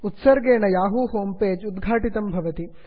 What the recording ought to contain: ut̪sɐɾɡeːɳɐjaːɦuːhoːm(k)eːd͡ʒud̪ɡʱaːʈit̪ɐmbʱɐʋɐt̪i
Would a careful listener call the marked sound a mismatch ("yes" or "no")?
yes